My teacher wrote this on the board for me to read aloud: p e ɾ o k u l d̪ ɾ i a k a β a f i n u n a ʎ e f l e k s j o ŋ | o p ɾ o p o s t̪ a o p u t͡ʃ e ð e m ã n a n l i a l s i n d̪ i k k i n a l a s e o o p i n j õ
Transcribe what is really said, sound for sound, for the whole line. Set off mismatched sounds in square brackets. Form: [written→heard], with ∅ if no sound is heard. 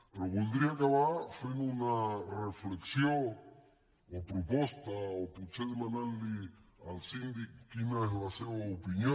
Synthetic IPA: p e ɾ o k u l d̪ ɾ i a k a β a f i n u n a [ʎ→r] e f l e k s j o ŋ | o p ɾ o p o s t̪ a o p u t͡ʃ e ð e m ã n a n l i a l s i n d̪ i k k i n a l a s e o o p i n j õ

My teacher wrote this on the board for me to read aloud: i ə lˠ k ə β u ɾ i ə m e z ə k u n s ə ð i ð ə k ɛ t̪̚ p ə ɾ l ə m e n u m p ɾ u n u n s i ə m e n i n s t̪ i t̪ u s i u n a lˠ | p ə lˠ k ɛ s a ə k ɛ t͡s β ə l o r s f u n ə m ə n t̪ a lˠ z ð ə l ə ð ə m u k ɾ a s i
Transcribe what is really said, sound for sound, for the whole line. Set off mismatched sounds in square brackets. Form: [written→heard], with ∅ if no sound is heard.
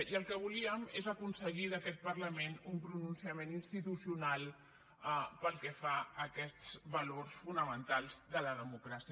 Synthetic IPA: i ə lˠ k ə β u [ɾ→l] i ə m e z ə k u n s ə [ð→ɣ] i ð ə k ɛ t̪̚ p ə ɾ l ə m e n u m p ɾ u n u n s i ə m e n i n s t̪ i t̪ u s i u n a lˠ | p ə lˠ k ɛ [s→f] a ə k ɛ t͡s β ə l o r s f u n ə m ə n t̪ a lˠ z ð ə l ə ð ə m u k ɾ a s i

